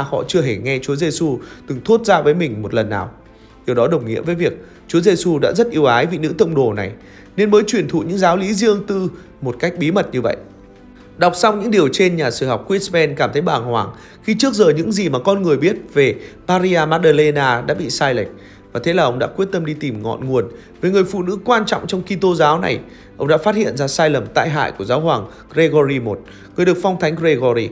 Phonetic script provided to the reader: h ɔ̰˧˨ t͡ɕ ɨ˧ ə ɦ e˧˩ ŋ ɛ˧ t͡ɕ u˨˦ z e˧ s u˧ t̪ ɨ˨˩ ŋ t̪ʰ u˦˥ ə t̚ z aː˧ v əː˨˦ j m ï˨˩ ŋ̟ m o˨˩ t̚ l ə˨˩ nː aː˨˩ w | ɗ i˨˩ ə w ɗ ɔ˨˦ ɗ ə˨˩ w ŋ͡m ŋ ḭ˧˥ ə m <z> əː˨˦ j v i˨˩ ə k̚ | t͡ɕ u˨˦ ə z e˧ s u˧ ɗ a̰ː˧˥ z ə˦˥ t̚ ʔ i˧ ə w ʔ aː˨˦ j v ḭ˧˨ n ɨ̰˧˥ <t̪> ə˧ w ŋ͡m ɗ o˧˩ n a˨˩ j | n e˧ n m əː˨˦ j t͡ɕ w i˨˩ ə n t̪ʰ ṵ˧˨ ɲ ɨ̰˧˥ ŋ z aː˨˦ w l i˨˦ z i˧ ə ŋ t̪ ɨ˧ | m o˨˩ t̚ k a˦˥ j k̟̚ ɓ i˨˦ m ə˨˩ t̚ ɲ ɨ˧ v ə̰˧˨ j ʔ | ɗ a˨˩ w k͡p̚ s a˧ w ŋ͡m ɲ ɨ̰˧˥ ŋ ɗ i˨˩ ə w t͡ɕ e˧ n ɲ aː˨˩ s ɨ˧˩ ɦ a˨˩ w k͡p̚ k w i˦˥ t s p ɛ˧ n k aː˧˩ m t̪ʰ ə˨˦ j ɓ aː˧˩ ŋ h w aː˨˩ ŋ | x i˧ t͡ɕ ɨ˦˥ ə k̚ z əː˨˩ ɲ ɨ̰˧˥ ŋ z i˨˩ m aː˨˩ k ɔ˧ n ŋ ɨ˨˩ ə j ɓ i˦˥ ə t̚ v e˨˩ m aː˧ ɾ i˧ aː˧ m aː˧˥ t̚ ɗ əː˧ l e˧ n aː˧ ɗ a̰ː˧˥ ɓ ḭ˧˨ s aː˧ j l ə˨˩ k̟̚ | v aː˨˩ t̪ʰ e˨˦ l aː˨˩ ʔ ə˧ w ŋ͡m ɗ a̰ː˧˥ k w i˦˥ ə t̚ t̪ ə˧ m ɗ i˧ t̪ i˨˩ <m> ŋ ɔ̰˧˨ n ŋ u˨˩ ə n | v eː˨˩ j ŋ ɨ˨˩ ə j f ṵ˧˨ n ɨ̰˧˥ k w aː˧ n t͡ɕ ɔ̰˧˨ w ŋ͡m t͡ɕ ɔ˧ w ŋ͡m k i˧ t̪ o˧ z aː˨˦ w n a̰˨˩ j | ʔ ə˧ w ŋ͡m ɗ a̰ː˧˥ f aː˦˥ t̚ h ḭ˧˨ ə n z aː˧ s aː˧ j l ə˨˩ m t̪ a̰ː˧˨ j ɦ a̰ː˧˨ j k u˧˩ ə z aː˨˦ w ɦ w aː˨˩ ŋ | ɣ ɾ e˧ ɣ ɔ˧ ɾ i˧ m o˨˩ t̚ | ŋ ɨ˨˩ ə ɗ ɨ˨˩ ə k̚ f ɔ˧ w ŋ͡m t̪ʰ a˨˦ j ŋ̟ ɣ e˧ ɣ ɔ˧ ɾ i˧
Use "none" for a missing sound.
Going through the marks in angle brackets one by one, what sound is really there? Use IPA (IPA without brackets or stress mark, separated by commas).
v, t̪, m